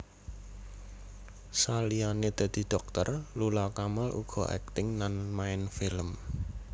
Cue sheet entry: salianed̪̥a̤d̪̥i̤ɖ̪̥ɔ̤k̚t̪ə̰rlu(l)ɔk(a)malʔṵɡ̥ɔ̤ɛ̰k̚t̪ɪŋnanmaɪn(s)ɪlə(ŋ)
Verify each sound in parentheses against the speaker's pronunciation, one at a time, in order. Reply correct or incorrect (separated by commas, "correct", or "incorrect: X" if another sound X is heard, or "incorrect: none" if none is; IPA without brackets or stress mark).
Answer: correct, correct, incorrect: f, incorrect: m